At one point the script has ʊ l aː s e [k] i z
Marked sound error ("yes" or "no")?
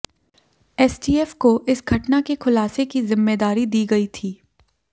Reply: no